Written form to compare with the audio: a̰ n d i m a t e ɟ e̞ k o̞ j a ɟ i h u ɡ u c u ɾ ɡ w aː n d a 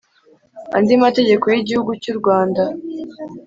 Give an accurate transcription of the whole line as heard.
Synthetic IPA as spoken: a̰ n d i m a t e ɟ e̞ k o̞ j i ɟ i h u ɡ u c u ɾ ɡ w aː n d a